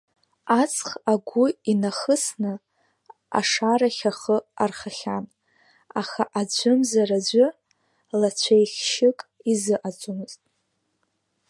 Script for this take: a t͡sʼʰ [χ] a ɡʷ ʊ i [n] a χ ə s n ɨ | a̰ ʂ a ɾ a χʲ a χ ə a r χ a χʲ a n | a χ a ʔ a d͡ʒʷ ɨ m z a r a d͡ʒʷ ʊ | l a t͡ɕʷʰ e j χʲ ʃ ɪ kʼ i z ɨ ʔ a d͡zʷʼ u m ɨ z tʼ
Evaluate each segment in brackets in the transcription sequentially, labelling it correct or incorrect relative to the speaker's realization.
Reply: correct, correct

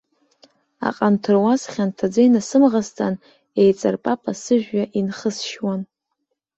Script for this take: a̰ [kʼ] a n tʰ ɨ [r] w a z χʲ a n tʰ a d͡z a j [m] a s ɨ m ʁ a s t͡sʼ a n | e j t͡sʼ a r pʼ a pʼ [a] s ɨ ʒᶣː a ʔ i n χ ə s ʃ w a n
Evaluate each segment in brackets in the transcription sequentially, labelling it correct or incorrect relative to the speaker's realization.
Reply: incorrect: qʼ, correct, incorrect: n, correct

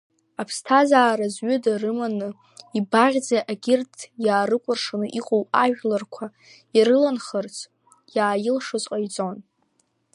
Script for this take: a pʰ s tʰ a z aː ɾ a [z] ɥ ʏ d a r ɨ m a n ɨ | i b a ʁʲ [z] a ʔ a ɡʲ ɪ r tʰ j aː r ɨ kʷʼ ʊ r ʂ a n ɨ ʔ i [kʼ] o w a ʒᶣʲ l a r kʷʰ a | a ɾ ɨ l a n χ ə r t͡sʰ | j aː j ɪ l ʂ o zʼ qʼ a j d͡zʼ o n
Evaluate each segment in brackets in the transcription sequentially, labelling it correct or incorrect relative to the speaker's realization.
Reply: correct, incorrect: d͡z, incorrect: qʼ

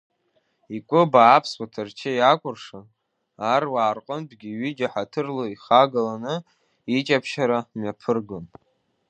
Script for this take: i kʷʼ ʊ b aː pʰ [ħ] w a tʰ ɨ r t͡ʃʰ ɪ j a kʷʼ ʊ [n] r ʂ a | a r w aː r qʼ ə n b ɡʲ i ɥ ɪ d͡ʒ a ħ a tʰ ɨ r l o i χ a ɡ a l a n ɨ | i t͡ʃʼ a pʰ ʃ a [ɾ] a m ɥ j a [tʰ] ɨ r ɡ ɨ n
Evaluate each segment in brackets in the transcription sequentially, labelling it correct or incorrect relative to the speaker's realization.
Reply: incorrect: s, incorrect: none, correct, incorrect: pʰ

